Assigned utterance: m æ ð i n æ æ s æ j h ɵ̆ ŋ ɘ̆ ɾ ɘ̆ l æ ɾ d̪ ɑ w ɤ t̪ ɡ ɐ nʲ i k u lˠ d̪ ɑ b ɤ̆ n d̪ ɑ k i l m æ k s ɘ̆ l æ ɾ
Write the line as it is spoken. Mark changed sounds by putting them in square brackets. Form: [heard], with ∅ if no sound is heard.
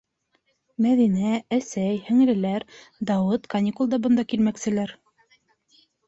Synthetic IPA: m æ ð i n æ æ s æ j h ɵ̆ ŋ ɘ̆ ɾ ɘ̆ l æ ɾ d̪ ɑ w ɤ t̪ [k] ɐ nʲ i k u lˠ d̪ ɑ b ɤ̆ n d̪ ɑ k i l m æ k s ɘ̆ l æ ɾ